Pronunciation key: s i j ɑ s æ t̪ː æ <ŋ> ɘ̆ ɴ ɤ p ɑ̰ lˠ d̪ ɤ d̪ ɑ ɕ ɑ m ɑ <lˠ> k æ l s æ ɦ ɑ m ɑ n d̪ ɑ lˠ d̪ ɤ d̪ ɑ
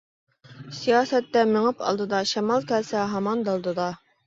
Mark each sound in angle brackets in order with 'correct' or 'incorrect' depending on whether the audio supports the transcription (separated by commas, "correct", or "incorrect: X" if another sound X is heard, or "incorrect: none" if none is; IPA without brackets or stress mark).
incorrect: m, correct